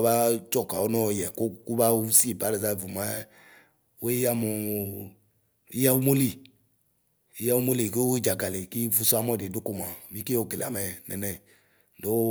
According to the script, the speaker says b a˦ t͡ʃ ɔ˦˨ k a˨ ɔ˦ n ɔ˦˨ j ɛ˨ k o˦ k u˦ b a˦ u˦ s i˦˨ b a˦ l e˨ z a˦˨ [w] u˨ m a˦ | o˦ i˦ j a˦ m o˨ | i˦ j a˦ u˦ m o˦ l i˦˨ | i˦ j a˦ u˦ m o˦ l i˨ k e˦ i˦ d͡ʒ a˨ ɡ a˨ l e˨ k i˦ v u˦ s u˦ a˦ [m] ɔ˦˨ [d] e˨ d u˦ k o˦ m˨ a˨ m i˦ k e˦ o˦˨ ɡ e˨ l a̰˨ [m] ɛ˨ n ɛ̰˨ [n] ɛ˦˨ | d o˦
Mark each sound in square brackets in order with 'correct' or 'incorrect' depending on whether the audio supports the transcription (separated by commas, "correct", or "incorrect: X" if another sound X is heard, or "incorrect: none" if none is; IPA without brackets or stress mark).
incorrect: v, correct, correct, correct, correct